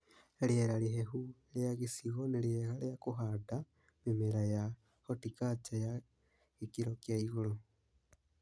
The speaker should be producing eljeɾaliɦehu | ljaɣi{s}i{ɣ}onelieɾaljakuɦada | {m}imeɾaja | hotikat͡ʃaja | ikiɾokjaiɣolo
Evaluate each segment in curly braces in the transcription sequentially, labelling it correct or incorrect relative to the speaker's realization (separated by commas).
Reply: correct, correct, correct